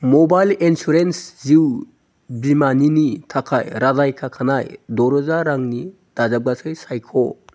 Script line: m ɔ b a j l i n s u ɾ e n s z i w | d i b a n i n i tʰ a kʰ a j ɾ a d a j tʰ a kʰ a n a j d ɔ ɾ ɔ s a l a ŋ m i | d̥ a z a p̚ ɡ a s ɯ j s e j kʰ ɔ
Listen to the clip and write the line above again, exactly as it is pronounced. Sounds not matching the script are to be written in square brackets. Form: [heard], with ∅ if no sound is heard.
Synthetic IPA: m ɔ b a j l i n s u ɾ e n s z i w | [b] i [m] a n i n i tʰ a kʰ a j ɾ a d a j [kʰ] a kʰ a n a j d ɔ ɾ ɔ [z] a [ɾ] a ŋ [n] i | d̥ a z a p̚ ɡ a s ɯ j s [a] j kʰ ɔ